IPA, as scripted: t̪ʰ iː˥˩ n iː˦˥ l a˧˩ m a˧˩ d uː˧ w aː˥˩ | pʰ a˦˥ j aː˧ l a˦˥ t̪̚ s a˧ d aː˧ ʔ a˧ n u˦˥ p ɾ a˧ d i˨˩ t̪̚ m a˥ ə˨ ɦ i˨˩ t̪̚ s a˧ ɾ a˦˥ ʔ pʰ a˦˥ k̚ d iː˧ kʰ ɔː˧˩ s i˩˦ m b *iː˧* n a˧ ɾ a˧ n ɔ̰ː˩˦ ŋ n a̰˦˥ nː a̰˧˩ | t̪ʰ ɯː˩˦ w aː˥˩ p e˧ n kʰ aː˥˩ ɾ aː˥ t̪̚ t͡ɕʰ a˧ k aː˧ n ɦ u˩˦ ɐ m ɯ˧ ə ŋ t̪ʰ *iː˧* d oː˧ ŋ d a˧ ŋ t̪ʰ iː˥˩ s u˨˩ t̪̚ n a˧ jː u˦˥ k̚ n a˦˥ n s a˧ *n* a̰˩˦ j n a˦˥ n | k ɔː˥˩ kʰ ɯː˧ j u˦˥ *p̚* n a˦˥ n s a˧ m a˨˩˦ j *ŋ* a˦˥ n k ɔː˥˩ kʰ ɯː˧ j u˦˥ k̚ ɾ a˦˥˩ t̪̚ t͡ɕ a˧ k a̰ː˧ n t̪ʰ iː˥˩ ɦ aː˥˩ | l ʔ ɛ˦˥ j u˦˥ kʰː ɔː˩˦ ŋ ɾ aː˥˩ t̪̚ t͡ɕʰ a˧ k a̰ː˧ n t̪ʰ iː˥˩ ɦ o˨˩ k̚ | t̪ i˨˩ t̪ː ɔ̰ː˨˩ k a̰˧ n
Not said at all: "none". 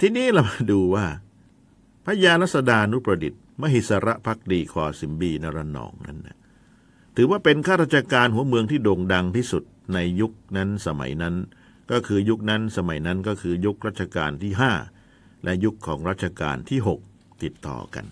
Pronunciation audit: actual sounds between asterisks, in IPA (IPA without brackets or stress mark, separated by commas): iː˧, iː˥˩, m, k̚, n